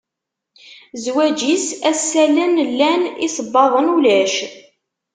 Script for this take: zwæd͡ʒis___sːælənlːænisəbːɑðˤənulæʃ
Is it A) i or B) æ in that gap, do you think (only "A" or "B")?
B